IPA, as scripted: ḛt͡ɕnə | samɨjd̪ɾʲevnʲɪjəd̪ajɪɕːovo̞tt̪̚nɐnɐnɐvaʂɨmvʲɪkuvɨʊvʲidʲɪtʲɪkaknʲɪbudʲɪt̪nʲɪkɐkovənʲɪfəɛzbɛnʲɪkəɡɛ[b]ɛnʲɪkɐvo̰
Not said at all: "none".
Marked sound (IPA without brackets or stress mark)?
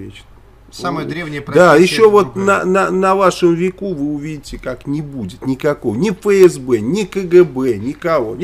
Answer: b